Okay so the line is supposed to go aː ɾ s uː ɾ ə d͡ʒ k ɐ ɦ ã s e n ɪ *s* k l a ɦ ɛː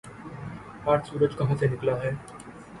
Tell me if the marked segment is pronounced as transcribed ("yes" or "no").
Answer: no